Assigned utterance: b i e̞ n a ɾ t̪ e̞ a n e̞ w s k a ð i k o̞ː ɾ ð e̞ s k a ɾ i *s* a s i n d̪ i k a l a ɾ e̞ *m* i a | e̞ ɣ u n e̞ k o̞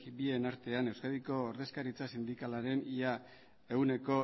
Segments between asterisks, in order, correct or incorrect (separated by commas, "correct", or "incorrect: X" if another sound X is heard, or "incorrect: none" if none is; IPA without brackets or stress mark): incorrect: t͡s, incorrect: n